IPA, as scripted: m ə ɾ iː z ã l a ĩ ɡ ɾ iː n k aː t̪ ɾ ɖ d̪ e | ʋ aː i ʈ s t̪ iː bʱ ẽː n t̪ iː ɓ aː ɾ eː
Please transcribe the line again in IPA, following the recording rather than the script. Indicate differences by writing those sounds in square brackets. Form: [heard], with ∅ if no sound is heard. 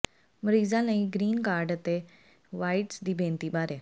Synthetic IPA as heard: m ə ɾ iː z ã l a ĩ ɡ ɾ iː n k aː [∅] ɾ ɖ [t̪] e | ʋ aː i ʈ s [d̪] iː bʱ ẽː n t̪ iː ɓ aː ɾ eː